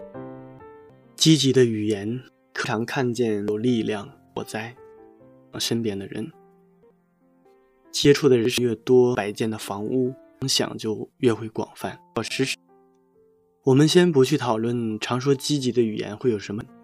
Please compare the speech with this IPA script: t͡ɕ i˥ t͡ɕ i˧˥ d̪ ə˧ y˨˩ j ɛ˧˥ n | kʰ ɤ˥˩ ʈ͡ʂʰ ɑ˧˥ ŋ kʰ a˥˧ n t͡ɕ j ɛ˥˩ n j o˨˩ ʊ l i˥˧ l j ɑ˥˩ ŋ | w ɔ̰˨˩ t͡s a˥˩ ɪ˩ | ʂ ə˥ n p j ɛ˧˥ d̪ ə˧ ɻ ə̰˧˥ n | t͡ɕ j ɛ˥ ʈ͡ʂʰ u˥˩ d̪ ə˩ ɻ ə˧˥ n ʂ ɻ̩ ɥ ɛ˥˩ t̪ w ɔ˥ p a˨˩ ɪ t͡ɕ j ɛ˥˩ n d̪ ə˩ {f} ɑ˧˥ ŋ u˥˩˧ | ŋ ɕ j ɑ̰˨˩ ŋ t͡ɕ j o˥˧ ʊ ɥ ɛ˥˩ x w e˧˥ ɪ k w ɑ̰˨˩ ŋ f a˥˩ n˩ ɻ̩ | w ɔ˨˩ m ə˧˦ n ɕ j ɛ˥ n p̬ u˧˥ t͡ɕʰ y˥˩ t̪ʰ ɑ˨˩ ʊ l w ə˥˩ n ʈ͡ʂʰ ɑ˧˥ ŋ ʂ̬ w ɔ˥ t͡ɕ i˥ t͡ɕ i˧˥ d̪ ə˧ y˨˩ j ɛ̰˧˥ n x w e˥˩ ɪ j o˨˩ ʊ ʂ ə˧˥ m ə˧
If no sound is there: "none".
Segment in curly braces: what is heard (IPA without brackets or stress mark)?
f